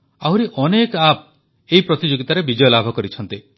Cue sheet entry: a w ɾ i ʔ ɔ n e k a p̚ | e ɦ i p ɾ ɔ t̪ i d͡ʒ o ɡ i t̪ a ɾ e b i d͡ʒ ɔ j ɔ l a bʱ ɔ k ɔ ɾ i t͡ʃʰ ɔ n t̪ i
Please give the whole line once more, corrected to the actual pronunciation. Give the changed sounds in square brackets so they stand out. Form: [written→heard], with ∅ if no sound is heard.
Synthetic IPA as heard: a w ɾ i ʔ ɔ n e k a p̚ | e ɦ i p ɾ ɔ t̪ i d͡ʒ o ɡ i t̪ a ɾ e b i d͡ʒ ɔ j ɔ l a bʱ ɔ k ɔ ɾ i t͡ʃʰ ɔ n t̪ i